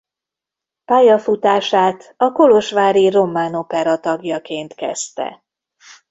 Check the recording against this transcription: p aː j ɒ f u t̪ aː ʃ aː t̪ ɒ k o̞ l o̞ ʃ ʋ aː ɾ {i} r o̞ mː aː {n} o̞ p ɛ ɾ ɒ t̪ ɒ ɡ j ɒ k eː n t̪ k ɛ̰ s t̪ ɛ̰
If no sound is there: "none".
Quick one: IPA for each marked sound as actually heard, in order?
i, n

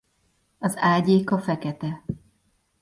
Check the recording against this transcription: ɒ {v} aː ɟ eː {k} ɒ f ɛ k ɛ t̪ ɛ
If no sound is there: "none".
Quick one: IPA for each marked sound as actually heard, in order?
z, k

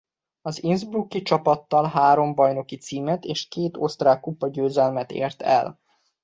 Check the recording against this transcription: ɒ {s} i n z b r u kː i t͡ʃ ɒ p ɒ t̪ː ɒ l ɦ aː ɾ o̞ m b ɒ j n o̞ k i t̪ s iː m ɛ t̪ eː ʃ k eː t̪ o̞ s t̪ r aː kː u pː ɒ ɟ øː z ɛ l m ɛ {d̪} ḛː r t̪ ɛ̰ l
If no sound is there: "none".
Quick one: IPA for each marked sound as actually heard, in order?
z, t̪

